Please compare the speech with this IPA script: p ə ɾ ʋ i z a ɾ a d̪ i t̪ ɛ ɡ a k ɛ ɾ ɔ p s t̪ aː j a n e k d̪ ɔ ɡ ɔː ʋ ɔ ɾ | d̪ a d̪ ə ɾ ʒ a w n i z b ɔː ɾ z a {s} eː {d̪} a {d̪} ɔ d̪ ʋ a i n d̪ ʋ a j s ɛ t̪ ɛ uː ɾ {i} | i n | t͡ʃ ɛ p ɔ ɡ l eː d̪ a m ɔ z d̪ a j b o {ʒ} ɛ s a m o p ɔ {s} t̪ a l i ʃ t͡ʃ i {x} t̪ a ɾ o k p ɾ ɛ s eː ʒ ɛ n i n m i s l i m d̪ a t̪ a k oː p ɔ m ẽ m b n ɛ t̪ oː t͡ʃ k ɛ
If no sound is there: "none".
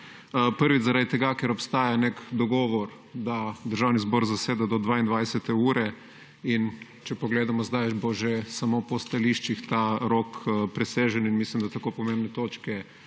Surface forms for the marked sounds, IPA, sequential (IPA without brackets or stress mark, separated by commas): s, d̪, d̪, ɛ, ʒ, s, x